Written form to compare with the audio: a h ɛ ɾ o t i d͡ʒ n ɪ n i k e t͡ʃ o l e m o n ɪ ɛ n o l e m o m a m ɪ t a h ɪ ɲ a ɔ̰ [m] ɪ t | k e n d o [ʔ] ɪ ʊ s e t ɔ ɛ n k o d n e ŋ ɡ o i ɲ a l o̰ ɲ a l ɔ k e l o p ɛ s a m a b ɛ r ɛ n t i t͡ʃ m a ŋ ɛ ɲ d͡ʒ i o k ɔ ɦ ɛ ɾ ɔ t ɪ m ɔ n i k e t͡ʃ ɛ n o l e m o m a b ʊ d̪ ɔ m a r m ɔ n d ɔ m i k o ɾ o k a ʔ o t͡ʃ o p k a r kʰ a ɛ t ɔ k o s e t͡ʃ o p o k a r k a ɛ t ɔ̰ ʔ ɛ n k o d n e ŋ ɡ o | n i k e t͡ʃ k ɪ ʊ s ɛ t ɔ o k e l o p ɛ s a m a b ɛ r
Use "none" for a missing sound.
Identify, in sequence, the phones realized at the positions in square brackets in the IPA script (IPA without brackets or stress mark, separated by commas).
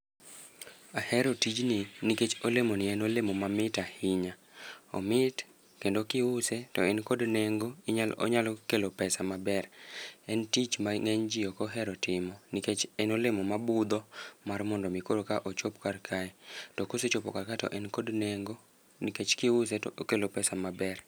m, k